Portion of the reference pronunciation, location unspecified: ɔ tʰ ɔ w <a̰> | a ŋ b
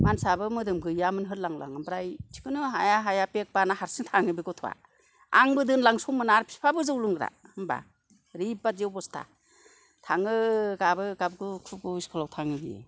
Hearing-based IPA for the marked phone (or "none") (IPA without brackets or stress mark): a̰